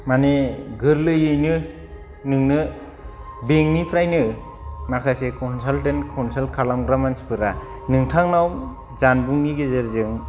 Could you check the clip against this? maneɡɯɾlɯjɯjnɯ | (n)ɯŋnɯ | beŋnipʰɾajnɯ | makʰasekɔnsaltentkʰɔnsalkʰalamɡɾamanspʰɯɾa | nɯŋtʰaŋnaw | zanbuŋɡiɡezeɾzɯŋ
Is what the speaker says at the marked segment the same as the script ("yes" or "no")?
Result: yes